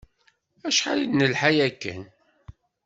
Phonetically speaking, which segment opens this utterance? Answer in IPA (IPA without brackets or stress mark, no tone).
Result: æ